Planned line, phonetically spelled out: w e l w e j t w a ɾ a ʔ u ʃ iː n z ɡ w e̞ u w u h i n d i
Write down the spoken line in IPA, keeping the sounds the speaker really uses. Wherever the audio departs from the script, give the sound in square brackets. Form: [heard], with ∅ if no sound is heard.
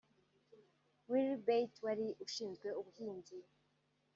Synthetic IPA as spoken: w [i] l [b] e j t w a ɾ [i] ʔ u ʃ iː n z ɡ w e̞ u [β] u h [iː] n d i